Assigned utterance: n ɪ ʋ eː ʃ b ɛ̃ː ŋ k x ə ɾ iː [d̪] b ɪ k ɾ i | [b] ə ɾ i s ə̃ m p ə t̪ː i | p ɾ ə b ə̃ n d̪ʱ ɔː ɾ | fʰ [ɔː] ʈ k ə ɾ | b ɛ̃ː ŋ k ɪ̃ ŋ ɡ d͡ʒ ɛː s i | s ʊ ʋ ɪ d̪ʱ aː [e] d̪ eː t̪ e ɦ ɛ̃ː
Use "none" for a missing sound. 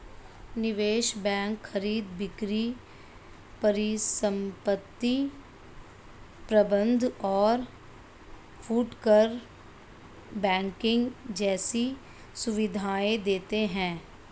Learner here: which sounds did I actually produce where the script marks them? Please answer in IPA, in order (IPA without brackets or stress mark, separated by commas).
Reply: d̪, p, uː, e